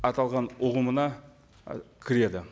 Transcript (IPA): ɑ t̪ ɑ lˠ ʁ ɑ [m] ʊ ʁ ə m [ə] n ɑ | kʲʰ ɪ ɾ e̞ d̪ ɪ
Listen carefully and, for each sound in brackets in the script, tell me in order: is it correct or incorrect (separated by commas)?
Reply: incorrect, correct